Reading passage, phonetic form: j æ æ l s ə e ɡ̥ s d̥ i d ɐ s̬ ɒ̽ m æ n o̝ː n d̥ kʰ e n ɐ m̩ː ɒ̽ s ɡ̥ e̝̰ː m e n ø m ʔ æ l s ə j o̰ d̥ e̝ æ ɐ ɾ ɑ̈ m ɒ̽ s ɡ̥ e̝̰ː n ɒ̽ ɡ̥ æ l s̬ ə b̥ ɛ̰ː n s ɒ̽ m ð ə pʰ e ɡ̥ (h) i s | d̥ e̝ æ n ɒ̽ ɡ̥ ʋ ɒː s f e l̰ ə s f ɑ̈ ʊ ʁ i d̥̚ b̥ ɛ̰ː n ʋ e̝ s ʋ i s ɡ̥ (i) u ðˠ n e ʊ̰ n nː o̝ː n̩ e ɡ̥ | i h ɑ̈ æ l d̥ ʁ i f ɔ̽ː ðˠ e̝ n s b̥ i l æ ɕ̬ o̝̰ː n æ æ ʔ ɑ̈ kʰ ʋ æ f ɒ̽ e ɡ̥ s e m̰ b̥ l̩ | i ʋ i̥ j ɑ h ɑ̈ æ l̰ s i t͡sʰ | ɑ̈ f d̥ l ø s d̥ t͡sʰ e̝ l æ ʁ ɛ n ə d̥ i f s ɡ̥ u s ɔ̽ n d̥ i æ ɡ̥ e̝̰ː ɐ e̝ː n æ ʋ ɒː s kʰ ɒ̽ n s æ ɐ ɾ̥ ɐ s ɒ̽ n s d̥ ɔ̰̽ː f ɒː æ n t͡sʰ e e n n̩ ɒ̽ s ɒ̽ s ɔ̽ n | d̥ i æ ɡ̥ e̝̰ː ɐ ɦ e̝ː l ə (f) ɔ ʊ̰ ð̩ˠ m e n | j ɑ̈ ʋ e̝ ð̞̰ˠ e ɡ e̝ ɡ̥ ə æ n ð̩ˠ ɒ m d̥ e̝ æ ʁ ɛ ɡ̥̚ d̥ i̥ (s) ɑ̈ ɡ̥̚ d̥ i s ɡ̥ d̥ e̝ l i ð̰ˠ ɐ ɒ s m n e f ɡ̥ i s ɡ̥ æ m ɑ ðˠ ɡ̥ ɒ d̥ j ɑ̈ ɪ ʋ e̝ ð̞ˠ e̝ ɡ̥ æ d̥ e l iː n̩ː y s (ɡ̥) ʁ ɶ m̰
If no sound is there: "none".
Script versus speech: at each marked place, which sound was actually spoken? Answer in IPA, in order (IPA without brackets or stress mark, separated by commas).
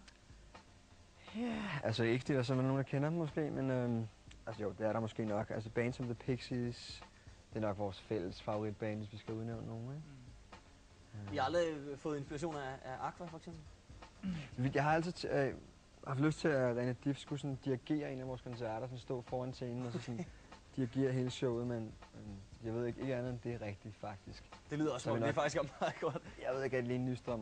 s, æ, ɕ, f, d̥